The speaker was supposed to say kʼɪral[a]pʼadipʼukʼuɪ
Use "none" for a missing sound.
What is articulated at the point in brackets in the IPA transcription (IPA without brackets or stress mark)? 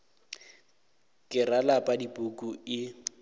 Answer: a